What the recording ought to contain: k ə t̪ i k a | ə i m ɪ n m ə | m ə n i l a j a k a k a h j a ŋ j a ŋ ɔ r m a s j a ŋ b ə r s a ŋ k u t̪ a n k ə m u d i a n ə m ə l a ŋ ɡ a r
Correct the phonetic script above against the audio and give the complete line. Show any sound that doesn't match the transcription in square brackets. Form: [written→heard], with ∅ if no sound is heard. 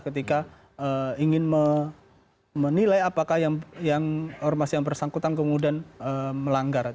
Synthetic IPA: k ə t̪ i k a | ə i [m→ŋ] ɪ n m ə | m ə n i l a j a [k→p] a k a h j a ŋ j a ŋ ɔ r m a s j a ŋ b ə r s a ŋ k u t̪ a n k ə m u d i a n ə m ə l a ŋ ɡ a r